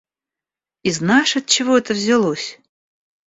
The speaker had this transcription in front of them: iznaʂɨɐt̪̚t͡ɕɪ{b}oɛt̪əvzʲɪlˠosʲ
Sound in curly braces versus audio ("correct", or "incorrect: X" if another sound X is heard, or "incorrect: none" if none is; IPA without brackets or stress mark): incorrect: v